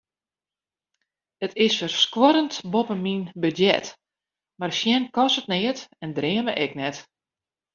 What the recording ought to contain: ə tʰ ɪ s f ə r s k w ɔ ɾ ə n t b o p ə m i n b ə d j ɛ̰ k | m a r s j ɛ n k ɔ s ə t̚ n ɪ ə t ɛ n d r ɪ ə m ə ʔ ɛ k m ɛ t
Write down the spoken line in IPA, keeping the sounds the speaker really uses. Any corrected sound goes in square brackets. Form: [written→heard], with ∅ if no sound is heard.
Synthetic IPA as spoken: ə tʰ ɪ s f ə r s k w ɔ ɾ ə n t b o p ə m i n b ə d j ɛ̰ [k→t] | m a r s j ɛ n k ɔ s ə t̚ n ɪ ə t ɛ n d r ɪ ə m ə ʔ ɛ k [m→n] ɛ t

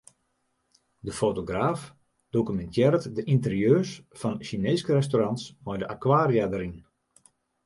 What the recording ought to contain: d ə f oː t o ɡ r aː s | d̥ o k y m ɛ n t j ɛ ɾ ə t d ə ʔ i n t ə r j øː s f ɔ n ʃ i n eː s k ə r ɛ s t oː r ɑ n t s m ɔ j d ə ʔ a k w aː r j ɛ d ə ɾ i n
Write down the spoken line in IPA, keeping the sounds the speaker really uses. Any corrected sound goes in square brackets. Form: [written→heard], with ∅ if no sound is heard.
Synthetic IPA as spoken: d ə f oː t o ɡ r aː [s→f] | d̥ o k y m ɛ n t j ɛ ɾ ə t d ə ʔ i n t ə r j øː s f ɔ n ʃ i n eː s k ə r ɛ s t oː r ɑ n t s m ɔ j d ə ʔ a k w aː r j [ɛ→a] d ə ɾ i n

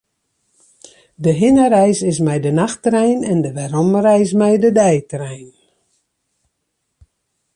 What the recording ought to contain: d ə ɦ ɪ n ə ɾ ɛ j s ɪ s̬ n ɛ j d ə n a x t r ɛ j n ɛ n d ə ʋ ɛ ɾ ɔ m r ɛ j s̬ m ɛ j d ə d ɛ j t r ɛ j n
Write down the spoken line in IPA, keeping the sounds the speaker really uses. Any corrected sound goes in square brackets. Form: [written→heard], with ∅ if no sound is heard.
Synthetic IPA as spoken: d ə ɦ ɪ n ə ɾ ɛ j s ɪ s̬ [n→m] ɛ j d ə n a x t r ɛ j n ɛ n d ə ʋ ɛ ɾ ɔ m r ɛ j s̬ m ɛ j d ə d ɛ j t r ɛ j n

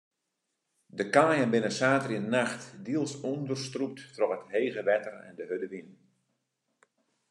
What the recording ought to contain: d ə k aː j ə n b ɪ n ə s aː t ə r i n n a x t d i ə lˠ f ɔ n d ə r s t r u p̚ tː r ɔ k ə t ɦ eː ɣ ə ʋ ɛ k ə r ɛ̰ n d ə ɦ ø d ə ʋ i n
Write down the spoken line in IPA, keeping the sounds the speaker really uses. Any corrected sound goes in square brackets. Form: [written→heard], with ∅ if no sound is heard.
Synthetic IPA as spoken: d ə k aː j ə n b ɪ n ə s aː t ə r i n n a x t d i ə lˠ [f→s] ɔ n d ə r s t r u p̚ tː r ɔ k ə t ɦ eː ɣ ə ʋ ɛ [k→t] ə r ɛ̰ n d ə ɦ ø d ə ʋ i n

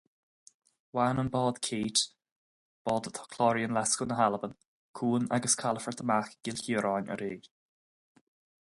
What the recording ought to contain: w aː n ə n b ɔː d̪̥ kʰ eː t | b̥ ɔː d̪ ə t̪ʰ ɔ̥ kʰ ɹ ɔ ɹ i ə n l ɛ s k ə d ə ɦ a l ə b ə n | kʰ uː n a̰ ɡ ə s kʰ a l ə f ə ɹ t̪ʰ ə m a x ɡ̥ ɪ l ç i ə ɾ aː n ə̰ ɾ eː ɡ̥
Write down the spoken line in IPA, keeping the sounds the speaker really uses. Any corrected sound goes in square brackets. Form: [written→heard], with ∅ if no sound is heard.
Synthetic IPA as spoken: w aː n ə n b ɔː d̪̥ kʰ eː t | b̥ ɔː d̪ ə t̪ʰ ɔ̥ kʰ [ɹ→l] ɔ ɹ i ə n l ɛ s k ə [d→n] ə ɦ a l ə b ə n | kʰ uː n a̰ ɡ ə s kʰ a l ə f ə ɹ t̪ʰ ə m a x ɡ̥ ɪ l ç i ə ɾ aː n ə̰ ɾ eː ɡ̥

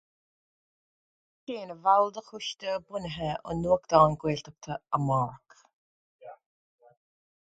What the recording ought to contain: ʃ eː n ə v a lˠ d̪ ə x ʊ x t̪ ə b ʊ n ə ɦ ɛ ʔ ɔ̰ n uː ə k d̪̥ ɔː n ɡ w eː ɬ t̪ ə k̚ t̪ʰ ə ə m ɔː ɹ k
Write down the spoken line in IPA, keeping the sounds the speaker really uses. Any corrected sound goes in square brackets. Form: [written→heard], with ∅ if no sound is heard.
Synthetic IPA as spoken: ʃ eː n ə v a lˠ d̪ ə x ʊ [x→ʃ] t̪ ə b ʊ n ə ɦ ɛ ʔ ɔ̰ n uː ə k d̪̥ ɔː n ɡ w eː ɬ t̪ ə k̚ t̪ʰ ə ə m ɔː ɹ k

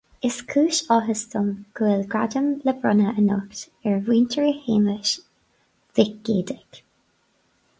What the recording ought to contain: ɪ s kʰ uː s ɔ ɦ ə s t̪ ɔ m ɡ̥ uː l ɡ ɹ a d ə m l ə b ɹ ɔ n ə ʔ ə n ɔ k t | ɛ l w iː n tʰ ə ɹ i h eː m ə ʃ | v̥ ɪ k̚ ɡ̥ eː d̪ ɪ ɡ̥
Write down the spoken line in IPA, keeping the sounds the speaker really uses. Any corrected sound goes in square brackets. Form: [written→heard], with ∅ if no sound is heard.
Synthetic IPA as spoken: ɪ s kʰ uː [s→ʃ] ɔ ɦ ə s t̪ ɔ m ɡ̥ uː l ɡ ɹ a d ə m l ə b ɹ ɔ n ə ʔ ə n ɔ k t | ɛ [l→ɹ] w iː n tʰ ə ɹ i h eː m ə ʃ | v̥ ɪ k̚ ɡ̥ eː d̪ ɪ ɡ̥

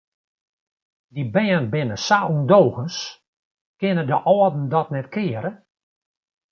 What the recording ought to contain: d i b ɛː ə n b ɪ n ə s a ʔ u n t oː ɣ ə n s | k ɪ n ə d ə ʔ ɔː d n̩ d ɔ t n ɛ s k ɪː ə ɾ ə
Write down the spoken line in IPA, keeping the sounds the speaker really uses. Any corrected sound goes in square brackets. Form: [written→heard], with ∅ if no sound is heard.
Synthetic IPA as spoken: d i b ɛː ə n b ɪ n ə s a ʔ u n [t→d] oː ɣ ə n s | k ɪ n ə d ə ʔ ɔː d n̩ d ɔ t n ɛ [s→t] k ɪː ə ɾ ə

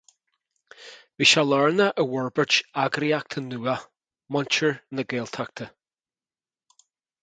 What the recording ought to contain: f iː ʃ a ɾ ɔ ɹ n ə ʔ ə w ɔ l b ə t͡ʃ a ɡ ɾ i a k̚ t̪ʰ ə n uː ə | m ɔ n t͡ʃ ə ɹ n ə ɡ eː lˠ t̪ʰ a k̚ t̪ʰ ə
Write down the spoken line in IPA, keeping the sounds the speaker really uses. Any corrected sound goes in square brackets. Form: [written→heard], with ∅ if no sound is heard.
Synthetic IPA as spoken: [f→v] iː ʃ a [ɾ→l] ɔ ɹ n ə ʔ ə w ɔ [l→ɹ] b ə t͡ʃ a ɡ ɾ i a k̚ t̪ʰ ə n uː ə | m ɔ n t͡ʃ ə ɹ n ə ɡ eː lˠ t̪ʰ a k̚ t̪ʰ ə

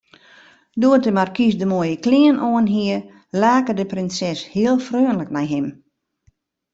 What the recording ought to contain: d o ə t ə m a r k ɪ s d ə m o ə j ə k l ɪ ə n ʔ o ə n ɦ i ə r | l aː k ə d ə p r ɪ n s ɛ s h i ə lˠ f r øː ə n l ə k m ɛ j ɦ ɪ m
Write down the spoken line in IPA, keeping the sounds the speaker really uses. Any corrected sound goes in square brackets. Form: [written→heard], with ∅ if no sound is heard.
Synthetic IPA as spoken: d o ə t ə m a r k [ɪ→i] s d ə m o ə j ə k l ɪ ə n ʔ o ə n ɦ i ə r | l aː k ə d ə p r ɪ n s ɛ s h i ə lˠ f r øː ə n l ə k [m→n] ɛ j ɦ ɪ m

